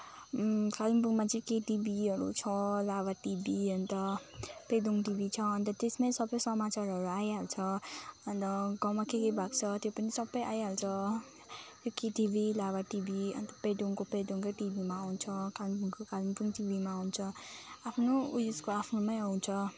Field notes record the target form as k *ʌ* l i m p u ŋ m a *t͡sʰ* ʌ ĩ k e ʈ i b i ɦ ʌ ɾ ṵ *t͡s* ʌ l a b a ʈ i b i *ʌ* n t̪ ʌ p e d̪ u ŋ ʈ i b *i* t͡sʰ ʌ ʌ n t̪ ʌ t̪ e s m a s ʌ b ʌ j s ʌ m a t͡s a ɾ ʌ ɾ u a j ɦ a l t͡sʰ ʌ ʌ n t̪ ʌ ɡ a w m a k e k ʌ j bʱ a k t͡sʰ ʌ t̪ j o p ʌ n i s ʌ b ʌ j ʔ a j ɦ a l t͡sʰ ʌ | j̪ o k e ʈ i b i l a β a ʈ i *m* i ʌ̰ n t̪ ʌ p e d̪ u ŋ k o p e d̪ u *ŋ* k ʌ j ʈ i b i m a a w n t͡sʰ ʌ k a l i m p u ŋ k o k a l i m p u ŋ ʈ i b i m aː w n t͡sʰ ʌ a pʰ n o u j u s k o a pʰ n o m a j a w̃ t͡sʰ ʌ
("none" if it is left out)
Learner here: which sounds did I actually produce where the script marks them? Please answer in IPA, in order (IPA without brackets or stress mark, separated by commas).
a, t͡s, t͡sʰ, ʌ, i, b, ŋ